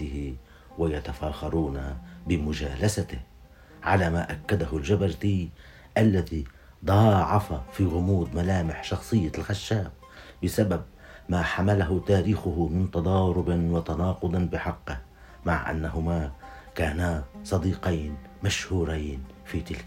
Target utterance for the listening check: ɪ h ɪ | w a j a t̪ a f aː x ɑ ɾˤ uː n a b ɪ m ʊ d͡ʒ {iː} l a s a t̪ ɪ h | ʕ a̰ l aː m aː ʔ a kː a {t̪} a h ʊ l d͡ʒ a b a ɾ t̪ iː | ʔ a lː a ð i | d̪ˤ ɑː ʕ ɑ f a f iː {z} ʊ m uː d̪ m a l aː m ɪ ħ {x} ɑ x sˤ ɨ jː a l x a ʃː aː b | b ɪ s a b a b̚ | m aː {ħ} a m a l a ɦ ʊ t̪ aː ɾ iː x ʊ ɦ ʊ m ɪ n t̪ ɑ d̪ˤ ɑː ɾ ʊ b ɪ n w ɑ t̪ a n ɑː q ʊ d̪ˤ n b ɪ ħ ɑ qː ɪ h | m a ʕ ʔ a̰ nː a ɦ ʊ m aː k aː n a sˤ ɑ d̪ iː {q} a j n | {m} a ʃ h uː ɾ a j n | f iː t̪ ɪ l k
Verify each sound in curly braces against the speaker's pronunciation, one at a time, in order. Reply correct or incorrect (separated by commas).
incorrect, incorrect, incorrect, incorrect, correct, correct, correct